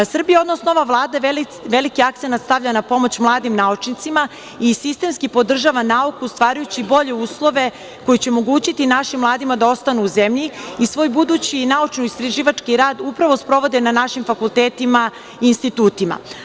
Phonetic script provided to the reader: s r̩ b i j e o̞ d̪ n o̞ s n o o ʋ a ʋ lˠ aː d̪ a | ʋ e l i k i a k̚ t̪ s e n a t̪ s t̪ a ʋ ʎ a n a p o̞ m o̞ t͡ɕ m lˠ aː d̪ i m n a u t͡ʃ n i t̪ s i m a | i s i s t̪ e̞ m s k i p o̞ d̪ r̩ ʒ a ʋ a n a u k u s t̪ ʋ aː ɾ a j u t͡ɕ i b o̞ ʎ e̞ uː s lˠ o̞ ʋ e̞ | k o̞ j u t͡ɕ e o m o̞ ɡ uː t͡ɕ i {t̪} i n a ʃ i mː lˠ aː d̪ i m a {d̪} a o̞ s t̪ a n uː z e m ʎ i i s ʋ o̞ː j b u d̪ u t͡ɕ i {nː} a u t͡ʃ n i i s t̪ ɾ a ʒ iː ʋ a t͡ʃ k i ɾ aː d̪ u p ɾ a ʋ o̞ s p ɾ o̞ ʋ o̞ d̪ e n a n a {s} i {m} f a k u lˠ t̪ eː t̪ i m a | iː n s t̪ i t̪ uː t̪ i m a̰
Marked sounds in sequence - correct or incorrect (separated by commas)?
correct, correct, incorrect, incorrect, correct